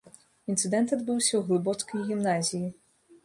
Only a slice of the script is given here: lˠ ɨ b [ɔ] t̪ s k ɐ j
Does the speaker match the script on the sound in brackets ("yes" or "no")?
yes